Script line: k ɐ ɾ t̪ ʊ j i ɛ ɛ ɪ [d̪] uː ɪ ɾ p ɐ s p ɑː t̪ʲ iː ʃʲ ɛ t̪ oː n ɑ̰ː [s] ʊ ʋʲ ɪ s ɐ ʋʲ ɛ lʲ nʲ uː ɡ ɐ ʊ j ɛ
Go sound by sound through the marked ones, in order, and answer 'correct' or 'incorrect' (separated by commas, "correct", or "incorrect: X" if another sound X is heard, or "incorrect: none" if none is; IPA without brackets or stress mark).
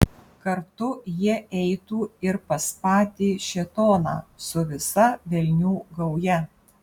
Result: incorrect: t̪, correct